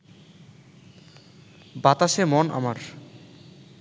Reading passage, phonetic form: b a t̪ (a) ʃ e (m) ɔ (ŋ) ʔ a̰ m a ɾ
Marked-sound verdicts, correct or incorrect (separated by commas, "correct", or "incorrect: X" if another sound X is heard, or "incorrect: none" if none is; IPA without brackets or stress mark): correct, correct, incorrect: n